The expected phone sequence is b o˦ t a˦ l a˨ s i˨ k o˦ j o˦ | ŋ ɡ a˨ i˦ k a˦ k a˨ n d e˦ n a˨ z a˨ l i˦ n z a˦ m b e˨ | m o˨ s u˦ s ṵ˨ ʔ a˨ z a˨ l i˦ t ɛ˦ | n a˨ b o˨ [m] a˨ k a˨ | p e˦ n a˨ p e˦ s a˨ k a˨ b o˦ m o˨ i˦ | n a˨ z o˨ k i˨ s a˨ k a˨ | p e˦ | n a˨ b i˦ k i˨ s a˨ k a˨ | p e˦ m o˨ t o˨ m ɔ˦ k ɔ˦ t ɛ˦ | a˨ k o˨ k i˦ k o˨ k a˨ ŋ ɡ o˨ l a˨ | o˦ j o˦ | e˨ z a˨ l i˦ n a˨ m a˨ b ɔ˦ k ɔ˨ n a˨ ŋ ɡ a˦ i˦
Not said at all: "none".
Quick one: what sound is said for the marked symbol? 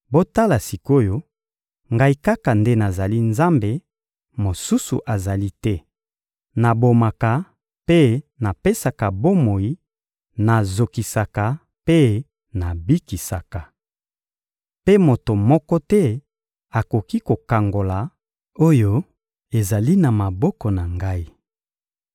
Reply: m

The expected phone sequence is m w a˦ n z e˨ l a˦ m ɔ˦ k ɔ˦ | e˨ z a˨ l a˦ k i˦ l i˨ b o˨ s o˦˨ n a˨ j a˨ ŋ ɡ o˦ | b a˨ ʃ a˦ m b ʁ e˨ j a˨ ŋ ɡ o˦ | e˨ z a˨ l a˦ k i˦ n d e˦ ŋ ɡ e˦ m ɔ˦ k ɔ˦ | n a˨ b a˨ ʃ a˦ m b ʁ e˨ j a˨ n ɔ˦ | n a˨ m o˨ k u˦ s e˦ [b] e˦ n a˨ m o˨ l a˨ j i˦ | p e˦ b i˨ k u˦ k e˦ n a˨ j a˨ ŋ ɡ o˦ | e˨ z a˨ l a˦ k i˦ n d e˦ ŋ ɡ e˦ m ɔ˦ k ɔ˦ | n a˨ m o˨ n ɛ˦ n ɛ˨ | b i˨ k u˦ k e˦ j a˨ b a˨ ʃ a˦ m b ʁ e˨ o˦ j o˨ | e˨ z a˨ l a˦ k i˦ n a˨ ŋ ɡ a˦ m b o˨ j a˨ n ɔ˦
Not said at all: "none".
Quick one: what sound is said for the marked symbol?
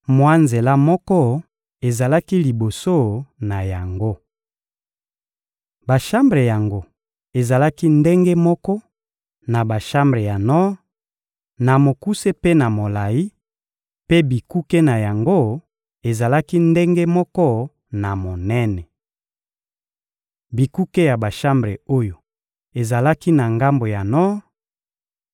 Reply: p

